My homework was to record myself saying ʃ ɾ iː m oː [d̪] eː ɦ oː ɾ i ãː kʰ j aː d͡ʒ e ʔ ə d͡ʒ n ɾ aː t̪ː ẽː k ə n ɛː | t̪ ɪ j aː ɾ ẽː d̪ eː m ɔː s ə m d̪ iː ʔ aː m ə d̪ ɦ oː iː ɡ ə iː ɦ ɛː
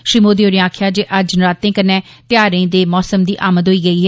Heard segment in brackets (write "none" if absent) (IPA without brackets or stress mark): d̪